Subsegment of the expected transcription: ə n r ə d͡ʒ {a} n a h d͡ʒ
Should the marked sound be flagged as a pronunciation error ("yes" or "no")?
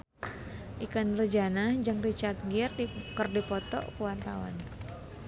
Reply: no